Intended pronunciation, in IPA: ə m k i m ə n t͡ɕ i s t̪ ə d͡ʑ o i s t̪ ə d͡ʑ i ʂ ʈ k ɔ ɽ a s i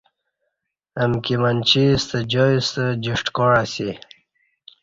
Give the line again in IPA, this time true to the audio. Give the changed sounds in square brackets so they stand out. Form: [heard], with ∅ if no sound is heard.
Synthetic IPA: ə m k i m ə n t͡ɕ i s t̪ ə d͡ʑ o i s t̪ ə d͡ʑ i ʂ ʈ k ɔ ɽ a s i